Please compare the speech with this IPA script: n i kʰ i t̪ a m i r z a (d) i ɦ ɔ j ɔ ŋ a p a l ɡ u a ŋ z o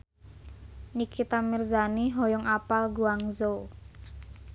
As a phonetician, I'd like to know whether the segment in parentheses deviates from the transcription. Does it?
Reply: yes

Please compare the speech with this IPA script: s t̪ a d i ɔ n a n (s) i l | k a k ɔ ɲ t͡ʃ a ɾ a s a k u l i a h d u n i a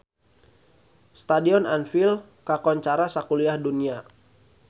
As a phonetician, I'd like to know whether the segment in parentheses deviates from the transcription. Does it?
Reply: yes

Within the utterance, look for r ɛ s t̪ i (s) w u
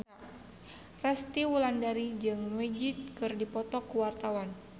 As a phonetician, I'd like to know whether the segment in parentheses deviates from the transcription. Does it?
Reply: yes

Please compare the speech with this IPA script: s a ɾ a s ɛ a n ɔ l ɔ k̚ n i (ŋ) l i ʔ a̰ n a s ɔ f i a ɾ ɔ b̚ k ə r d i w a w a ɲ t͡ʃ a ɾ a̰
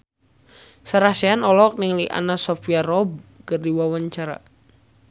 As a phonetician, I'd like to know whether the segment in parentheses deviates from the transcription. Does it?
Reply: no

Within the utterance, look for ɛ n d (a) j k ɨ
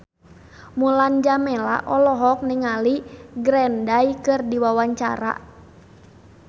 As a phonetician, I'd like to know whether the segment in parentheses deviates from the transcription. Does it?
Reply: no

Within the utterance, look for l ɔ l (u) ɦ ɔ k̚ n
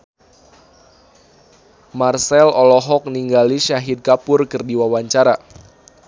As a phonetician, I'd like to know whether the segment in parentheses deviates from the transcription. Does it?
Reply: yes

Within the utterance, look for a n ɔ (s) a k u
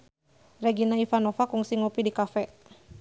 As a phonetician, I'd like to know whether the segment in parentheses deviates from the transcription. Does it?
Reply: yes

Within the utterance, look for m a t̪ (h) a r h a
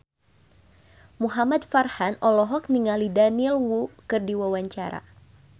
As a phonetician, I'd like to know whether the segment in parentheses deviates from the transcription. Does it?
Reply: yes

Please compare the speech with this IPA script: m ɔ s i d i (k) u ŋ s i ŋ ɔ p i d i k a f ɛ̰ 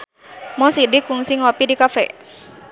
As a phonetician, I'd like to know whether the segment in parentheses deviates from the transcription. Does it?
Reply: no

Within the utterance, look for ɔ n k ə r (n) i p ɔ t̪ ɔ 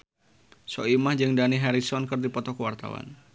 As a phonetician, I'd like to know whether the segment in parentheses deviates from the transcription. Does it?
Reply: yes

